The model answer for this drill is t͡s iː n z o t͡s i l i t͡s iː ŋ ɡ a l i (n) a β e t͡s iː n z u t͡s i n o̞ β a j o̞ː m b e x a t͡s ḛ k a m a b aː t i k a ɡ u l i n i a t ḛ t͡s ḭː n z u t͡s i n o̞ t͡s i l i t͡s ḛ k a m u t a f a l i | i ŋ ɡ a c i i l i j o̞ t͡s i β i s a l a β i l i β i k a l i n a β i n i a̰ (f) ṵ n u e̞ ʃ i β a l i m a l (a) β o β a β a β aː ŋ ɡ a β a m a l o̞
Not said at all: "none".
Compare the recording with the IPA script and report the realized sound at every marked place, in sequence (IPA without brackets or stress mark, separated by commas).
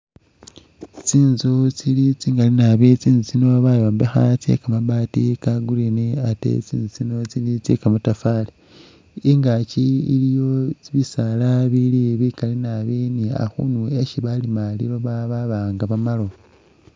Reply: n, x, i